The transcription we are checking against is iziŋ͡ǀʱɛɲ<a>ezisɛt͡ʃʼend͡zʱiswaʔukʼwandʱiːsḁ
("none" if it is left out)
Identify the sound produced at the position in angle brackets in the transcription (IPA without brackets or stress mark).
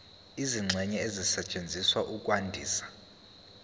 ɛ